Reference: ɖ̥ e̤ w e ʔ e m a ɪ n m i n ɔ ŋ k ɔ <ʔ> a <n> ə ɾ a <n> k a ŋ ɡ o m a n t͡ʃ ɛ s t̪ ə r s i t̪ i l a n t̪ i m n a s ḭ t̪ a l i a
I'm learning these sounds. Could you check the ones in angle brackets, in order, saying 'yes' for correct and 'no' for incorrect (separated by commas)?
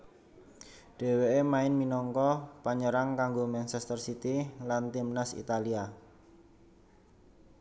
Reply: no, no, no